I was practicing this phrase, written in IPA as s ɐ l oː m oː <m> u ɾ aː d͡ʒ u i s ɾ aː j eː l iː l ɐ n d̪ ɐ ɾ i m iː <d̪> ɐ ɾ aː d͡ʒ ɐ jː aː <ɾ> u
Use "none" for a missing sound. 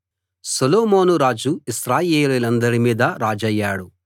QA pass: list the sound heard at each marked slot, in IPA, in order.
n, d̪, ɽ

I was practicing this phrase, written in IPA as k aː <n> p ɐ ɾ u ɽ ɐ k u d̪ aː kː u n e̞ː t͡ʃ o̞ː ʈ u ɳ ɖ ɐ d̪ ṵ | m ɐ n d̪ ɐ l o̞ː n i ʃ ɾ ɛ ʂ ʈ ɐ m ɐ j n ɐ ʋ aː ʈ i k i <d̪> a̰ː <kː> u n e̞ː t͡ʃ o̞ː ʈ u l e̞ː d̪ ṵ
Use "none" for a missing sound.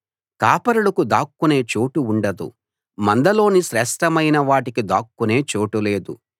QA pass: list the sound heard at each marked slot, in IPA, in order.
none, d̪, kː

